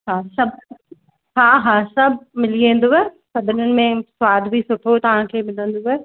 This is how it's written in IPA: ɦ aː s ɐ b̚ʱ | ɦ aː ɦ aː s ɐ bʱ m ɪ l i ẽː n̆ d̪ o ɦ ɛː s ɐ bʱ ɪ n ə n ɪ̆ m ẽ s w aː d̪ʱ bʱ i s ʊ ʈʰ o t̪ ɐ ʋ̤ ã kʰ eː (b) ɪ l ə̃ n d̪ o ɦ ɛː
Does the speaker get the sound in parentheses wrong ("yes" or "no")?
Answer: yes